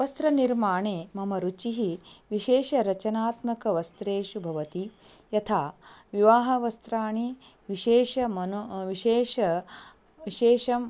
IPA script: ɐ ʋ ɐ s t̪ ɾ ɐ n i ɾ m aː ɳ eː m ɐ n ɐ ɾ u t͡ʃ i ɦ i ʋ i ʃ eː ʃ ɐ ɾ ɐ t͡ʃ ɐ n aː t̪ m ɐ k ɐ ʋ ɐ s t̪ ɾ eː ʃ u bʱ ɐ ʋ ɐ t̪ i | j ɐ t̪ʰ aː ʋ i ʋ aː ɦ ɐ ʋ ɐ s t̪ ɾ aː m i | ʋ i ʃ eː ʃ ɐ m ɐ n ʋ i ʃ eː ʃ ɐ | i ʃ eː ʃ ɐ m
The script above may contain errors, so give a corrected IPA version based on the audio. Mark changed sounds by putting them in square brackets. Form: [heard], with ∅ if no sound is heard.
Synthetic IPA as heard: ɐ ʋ ɐ s t̪ ɾ ɐ n i ɾ m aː ɳ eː m ɐ [m] ɐ ɾ u t͡ʃ i ɦ i ʋ i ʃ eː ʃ ɐ ɾ ɐ t͡ʃ ɐ n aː t̪ m ɐ k ɐ ʋ ɐ s t̪ ɾ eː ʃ u bʱ ɐ ʋ ɐ t̪ i | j ɐ t̪ʰ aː ʋ i ʋ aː ɦ ɐ ʋ ɐ s t̪ ɾ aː [ɳ] i | ʋ i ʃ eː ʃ ɐ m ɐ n ʋ i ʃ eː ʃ ɐ | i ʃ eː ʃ ɐ m

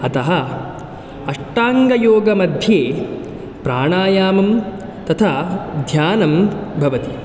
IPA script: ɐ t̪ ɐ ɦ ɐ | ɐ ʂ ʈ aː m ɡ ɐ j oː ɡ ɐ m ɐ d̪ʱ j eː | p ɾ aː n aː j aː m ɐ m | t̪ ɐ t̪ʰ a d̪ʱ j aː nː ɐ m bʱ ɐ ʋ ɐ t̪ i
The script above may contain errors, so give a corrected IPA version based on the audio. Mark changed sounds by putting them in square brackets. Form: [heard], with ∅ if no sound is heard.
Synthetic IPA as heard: ɐ t̪ ɐ ɦ ɐ | ɐ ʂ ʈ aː [ŋ] ɡ ɐ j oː ɡ ɐ m ɐ d̪ʱ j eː | p ɾ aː [ɳ] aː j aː m ɐ m | t̪ ɐ t̪ʰ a d̪ʱ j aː [n] ɐ m bʱ ɐ ʋ ɐ t̪ i

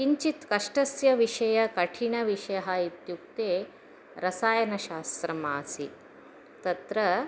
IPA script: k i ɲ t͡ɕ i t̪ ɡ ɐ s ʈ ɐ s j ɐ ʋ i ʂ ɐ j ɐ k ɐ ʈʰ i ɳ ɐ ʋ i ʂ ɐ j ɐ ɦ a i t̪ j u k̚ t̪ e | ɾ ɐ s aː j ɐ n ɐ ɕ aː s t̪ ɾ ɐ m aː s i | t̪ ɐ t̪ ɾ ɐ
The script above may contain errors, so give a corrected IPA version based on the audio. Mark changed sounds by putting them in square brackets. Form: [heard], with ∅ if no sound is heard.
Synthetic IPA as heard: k i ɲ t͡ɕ i t̪ [k] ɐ [ʂ] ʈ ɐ s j ɐ ʋ i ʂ ɐ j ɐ k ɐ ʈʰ i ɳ ɐ ʋ i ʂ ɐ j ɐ ɦ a i t̪ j u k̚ t̪ e | ɾ ɐ s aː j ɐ n ɐ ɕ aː s t̪ ɾ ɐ m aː s i | t̪ ɐ t̪ ɾ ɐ

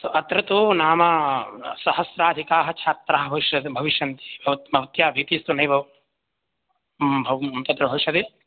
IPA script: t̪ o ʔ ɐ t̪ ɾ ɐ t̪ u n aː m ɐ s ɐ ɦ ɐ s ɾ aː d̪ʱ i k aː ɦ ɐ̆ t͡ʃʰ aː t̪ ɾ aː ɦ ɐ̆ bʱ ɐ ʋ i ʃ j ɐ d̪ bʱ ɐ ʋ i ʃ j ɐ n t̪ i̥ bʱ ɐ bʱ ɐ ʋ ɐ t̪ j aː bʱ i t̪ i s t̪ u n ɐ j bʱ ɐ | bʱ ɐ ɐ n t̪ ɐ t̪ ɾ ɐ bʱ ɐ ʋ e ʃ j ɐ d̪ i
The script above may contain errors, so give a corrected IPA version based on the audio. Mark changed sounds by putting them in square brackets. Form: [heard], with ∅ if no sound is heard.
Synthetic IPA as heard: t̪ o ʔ ɐ t̪ ɾ ɐ t̪ u n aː m ɐ s ɐ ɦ ɐ s ɾ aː d̪ʱ i k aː ɦ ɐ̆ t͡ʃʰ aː t̪ ɾ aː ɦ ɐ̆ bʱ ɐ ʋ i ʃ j ɐ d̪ bʱ ɐ ʋ i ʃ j ɐ n t̪ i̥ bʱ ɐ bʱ ɐ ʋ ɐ t̪ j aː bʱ i t̪ i s t̪ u n ɐ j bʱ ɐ | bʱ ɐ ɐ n t̪ ɐ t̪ ɾ ɐ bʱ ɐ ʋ [i] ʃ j ɐ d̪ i

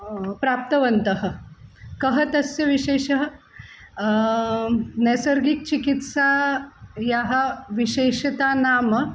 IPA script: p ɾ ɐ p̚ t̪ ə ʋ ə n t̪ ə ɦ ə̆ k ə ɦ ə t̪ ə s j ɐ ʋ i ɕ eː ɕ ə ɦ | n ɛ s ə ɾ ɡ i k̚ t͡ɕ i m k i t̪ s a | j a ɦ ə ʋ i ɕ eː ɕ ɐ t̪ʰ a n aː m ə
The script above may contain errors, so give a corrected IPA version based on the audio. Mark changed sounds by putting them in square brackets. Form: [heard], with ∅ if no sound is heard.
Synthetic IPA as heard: p ɾ [a] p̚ t̪ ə ʋ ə n t̪ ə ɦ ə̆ k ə ɦ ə t̪ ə s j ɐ ʋ i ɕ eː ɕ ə ɦ | n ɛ s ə ɾ ɡ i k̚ t͡ɕ i [∅] k i t̪ s a | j a ɦ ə ʋ i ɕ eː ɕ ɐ [t̪] a n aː m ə

